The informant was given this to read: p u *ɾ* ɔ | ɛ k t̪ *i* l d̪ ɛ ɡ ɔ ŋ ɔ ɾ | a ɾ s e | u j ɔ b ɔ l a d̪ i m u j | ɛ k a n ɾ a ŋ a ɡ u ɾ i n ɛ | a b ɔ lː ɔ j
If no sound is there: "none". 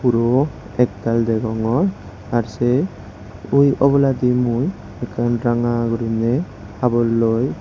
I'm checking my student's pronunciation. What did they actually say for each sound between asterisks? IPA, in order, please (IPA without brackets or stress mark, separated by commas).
ɾ, a